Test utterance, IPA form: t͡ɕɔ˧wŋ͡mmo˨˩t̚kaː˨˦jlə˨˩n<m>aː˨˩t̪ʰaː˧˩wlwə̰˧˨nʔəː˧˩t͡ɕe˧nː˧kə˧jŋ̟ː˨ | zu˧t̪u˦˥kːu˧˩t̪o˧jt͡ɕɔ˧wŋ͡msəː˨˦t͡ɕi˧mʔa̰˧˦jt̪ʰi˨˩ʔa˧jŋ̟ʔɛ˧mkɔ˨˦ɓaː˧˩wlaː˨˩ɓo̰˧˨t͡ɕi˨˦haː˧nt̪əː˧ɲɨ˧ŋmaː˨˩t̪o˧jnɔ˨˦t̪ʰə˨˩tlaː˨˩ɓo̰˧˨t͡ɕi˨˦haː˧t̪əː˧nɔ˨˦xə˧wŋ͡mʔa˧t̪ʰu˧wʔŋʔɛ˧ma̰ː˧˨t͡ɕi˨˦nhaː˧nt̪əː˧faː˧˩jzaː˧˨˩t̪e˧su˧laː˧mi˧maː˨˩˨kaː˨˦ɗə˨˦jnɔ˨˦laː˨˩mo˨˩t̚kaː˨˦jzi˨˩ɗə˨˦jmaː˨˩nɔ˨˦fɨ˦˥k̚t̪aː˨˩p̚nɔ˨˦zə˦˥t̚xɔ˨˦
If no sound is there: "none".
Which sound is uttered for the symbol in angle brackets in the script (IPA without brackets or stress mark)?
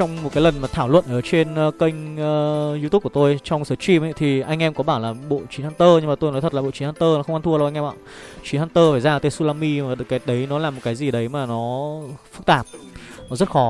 m